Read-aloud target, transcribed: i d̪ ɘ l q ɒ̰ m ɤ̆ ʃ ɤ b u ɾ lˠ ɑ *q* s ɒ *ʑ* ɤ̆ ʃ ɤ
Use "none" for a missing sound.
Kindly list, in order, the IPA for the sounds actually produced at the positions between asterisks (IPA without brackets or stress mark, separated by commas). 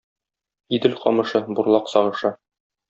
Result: q, ʁ